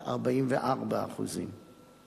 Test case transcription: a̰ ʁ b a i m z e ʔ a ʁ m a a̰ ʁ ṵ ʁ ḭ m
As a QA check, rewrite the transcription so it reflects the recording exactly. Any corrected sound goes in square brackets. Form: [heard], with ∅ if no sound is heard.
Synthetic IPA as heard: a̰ ʁ b a i m [v] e ʔ a ʁ [b] a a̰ [χ] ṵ [z] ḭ m